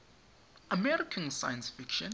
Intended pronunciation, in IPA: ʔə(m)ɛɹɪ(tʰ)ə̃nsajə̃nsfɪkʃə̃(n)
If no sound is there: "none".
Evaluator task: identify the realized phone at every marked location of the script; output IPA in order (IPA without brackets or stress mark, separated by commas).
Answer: m, kʰ, n